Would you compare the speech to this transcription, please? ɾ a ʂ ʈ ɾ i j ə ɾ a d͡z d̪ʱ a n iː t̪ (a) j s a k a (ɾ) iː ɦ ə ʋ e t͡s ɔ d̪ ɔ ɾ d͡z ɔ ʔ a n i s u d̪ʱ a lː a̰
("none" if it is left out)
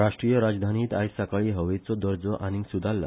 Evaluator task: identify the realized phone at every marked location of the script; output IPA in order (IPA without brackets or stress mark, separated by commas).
a, ɭ